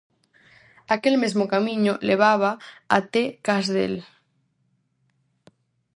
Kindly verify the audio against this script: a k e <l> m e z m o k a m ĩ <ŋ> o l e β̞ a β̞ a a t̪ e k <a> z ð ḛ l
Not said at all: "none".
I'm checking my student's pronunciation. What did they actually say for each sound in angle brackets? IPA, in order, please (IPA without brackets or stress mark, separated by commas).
l, ɲ, a